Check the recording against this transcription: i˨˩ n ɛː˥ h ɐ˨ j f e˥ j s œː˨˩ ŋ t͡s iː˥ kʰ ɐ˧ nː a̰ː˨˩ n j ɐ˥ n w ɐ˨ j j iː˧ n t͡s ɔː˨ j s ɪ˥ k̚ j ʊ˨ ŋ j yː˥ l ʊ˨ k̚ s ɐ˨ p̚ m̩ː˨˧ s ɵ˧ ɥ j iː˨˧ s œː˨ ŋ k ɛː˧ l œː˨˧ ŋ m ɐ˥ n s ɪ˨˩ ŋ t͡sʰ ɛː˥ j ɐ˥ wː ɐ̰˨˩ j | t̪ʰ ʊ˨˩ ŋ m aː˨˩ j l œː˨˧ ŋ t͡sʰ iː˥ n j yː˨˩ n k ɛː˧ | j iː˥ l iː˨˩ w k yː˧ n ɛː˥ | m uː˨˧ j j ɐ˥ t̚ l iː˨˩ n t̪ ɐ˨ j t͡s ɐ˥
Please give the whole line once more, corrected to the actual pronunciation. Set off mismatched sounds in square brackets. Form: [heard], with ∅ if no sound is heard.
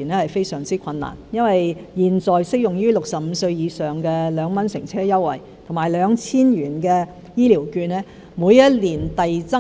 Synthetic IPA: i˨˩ n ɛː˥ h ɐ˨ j f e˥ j s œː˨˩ ŋ t͡s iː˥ kʰ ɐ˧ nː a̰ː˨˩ n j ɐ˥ n w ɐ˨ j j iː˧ n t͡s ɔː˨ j s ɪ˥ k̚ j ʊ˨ ŋ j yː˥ l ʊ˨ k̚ s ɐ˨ p̚ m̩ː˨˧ s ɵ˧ ɥ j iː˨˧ s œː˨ ŋ k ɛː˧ l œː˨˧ ŋ m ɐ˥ n s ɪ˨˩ ŋ t͡sʰ ɛː˥ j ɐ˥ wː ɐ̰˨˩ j | t̪ʰ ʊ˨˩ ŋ m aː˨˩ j l œː˨˧ ŋ t͡sʰ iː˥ n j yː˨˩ n k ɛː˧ | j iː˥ l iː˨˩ w k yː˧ n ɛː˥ | m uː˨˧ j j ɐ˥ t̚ l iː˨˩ n t̪ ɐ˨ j t͡s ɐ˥